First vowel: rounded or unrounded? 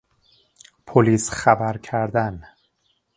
rounded